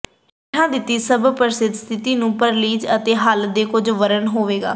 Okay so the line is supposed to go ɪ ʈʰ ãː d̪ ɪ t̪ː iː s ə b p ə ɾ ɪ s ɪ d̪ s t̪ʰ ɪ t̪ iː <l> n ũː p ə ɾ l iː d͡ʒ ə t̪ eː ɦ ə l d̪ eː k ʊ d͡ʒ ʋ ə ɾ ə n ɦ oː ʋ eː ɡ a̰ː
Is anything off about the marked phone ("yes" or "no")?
yes